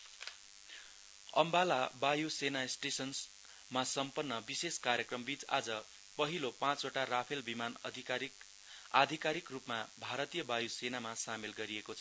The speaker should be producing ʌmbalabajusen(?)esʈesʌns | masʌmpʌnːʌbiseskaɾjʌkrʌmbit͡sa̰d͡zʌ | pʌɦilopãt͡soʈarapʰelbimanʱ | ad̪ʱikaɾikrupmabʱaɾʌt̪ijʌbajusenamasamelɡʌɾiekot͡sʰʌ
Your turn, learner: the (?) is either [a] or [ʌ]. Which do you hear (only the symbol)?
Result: a